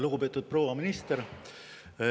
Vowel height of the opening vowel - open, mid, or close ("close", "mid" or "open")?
close